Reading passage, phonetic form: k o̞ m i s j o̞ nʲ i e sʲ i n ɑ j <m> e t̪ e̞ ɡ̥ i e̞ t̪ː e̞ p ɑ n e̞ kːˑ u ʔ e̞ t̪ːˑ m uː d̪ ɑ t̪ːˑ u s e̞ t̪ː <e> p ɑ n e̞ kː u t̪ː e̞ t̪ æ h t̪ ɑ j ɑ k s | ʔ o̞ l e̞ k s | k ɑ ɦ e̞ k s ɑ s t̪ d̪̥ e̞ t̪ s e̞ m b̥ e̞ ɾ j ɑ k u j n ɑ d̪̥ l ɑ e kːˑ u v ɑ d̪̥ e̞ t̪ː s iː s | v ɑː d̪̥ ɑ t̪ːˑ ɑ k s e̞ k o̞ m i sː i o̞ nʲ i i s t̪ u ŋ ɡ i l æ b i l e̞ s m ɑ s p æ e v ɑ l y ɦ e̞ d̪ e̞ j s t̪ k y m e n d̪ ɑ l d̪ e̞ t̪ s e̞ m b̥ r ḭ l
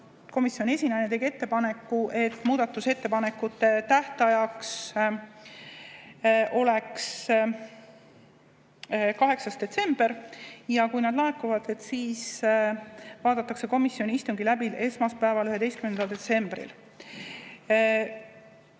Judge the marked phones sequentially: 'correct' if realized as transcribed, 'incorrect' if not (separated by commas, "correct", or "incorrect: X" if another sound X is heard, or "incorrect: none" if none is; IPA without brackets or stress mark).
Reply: incorrect: n, correct